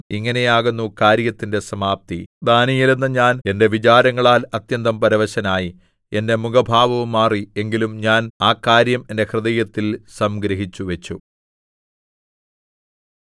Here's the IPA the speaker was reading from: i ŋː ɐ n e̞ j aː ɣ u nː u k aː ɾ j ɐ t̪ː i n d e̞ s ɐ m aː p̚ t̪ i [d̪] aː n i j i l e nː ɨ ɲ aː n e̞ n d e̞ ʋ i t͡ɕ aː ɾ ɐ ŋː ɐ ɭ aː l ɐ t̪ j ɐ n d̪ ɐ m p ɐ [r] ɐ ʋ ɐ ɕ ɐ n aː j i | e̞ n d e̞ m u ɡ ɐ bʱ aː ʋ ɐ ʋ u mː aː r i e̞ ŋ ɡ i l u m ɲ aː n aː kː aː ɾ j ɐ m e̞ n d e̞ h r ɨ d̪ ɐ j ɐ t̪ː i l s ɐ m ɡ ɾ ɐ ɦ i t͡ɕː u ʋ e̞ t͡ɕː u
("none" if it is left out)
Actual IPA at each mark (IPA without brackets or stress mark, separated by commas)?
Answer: d̪, ɾ